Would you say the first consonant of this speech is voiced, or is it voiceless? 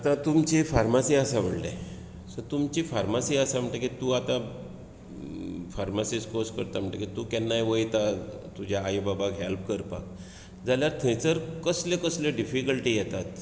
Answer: voiceless